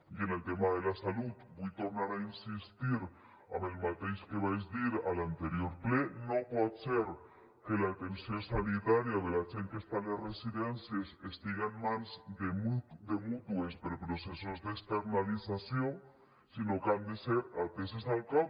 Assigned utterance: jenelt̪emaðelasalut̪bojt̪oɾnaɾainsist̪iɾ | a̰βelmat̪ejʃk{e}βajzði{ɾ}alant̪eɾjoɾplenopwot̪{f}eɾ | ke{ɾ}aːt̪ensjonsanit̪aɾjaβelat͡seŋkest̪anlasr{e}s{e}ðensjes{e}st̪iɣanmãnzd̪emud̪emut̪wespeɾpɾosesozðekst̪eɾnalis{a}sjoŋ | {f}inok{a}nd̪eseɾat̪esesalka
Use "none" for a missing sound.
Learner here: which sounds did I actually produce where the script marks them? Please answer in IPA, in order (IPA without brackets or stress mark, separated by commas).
e, ɾ, s, l, e, i, e, a, s, a